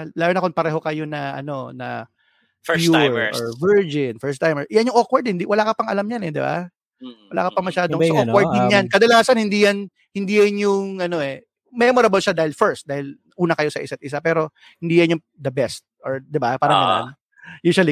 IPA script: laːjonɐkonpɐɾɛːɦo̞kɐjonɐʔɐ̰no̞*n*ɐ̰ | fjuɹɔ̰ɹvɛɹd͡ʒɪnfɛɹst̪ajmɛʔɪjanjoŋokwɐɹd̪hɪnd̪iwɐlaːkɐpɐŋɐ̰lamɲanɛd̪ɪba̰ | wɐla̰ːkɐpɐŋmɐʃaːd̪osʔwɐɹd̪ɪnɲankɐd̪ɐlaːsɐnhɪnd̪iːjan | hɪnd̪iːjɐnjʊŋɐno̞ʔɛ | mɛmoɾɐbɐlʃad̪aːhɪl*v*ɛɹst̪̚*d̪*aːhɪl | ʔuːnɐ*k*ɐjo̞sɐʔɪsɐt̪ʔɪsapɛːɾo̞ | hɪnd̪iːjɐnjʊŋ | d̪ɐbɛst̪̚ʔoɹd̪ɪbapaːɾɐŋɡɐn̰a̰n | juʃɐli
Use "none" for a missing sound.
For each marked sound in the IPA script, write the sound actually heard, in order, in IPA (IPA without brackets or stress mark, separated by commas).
n, f, d̪, k